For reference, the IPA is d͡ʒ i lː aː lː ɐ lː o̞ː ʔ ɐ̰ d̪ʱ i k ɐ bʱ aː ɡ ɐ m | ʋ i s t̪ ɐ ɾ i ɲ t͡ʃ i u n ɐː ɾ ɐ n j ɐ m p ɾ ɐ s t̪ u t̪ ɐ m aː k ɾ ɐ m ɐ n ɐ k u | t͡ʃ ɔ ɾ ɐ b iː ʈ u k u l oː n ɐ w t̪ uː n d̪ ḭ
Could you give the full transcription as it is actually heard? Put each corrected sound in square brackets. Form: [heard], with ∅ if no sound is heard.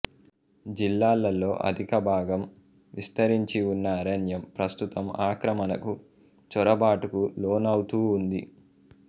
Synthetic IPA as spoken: d͡ʒ i lː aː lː ɐ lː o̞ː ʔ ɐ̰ d̪ʱ i k ɐ bʱ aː ɡ ɐ m | ʋ i s t̪ ɐ ɾ i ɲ t͡ʃ i u [nː] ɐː ɾ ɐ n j ɐ m p ɾ ɐ s t̪ u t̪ ɐ m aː k ɾ ɐ m ɐ n ɐ k u | t͡ʃ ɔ ɾ ɐ b [aː] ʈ u k u l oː n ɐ w t̪ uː n d̪ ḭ